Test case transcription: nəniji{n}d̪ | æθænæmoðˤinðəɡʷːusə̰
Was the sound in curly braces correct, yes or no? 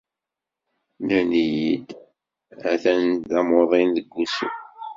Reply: no